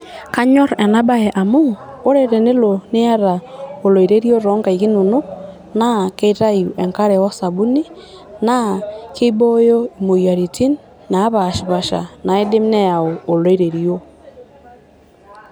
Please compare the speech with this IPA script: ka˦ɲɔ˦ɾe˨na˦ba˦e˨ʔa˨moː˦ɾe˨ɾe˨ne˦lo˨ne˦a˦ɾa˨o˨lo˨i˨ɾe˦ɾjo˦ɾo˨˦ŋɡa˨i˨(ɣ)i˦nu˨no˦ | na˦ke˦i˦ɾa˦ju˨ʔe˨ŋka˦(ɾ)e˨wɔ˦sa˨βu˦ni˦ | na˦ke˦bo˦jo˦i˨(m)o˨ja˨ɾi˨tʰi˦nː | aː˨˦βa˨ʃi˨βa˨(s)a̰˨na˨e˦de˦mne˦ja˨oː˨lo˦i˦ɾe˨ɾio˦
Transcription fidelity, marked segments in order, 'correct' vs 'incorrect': correct, correct, correct, incorrect

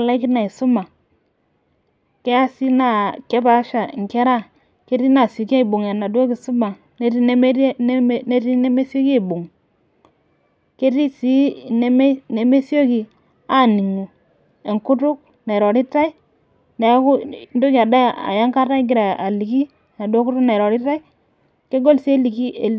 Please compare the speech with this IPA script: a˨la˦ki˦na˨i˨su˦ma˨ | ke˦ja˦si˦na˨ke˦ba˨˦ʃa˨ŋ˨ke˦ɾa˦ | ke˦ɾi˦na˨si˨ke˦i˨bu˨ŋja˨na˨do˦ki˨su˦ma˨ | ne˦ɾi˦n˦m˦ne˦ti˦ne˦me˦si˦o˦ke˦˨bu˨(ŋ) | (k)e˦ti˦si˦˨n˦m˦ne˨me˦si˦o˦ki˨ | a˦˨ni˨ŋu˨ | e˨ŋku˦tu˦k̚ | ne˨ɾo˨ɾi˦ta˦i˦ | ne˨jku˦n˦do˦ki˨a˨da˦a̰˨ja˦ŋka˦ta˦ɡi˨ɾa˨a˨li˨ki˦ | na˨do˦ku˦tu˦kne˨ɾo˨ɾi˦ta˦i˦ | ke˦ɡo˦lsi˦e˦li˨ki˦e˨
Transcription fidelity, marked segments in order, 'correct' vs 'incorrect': correct, correct

